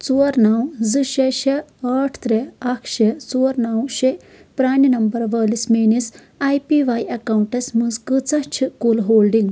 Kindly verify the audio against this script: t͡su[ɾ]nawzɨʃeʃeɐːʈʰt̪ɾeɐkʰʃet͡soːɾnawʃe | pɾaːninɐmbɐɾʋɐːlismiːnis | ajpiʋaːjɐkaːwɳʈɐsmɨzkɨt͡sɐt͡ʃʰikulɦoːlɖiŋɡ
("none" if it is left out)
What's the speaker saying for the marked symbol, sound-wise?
ɾ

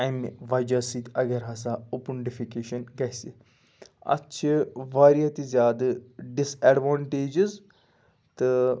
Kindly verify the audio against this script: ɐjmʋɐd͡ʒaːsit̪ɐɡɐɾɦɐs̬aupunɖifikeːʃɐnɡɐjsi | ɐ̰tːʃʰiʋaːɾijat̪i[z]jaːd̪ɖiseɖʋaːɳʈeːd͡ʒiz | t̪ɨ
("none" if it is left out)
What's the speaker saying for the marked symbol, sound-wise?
z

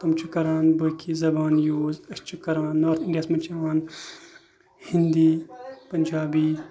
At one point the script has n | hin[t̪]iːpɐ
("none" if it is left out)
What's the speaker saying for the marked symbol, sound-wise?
d̪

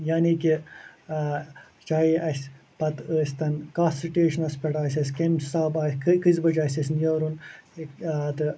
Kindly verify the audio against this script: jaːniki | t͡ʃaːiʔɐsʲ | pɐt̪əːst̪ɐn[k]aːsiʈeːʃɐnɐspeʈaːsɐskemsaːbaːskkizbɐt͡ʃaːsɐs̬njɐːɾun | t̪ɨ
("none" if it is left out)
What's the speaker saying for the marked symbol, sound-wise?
k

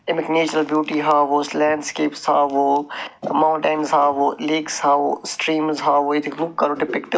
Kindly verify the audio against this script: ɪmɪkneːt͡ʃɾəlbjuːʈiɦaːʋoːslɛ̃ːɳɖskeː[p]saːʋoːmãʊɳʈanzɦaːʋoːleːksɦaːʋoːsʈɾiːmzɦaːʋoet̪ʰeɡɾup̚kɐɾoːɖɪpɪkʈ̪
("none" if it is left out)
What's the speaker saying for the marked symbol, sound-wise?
p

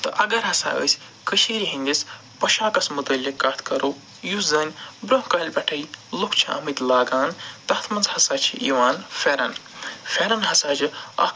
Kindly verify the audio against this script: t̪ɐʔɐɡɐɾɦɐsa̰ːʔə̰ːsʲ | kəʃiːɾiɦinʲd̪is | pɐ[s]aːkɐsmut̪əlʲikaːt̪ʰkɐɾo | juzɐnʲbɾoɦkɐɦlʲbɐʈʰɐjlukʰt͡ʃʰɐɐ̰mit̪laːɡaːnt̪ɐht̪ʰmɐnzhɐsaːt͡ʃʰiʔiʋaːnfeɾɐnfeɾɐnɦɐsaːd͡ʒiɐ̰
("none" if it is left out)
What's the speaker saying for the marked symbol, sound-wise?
ʃ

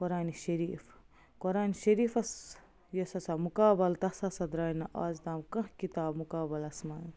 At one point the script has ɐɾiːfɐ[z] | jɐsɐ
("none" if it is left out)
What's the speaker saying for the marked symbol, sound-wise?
s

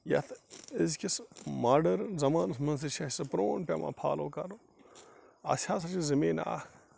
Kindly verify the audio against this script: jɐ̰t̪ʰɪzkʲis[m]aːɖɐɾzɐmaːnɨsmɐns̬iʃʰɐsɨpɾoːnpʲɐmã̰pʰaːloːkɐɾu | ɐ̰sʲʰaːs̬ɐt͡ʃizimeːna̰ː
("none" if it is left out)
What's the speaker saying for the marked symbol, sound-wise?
m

